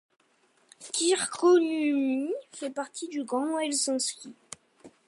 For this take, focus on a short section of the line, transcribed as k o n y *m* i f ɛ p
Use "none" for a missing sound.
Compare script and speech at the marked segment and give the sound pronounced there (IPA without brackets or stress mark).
m